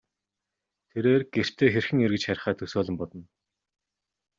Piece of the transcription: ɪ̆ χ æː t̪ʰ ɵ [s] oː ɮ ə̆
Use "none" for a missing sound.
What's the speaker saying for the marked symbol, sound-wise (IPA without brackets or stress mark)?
s